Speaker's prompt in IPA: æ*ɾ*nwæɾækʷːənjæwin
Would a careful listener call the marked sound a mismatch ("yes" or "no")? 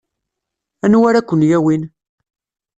yes